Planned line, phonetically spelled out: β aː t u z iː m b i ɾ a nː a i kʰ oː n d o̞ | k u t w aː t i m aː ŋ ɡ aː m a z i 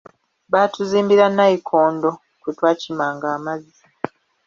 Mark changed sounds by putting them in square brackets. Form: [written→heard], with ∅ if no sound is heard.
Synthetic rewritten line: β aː t u z iː m b i ɾ a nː a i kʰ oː n d o̞ | k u t w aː [t→c] i m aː ŋ ɡ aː m a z i